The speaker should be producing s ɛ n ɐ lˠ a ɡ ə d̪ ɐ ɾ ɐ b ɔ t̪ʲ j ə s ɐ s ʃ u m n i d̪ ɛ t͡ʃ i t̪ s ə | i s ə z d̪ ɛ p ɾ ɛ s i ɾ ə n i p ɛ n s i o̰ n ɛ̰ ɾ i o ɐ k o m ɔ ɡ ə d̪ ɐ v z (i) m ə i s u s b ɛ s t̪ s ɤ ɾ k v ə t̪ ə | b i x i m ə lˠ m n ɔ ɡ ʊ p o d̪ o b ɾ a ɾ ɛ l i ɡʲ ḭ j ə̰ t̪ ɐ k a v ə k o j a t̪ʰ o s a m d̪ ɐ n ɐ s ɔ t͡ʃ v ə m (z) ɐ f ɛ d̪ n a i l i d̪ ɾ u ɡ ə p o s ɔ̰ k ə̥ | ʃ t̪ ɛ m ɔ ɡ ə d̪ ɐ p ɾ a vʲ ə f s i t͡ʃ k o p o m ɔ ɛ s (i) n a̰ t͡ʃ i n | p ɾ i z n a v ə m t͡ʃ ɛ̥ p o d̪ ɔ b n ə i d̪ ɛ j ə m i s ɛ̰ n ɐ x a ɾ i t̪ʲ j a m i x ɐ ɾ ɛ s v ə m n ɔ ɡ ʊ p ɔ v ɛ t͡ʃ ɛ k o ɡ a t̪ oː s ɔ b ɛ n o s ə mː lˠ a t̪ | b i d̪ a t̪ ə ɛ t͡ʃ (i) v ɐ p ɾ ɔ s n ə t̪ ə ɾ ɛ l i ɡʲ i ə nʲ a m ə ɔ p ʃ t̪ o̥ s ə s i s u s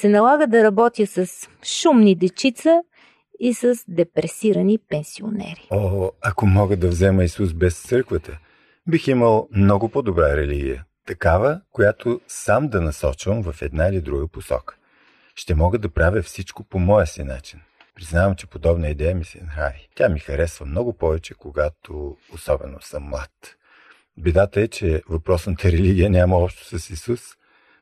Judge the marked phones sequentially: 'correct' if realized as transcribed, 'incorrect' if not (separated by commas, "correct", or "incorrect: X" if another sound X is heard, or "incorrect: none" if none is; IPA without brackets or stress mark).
incorrect: ɛ, incorrect: v, correct, incorrect: ɛ